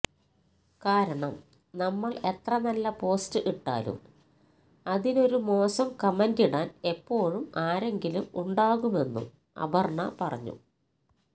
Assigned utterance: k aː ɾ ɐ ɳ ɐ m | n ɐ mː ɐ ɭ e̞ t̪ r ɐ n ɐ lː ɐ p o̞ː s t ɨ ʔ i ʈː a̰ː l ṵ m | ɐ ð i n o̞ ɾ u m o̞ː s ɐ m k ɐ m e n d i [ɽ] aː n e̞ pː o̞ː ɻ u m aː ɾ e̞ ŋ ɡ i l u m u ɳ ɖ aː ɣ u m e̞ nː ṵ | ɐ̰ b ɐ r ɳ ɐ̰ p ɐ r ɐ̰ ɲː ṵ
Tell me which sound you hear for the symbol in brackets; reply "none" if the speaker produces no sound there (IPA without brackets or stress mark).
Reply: ɽ